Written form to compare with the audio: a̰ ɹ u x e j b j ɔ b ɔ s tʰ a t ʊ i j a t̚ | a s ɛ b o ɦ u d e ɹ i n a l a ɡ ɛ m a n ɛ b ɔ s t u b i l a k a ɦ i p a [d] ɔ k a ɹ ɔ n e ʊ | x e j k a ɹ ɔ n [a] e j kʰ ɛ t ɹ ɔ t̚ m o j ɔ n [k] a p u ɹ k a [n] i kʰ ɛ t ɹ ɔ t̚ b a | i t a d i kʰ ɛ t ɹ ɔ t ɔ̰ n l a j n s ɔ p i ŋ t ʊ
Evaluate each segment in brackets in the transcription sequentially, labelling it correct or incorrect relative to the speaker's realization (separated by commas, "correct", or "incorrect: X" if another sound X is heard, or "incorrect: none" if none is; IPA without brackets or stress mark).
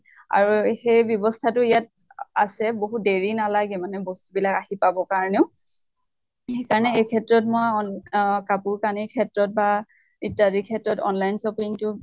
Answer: incorrect: b, incorrect: ɛ, correct, correct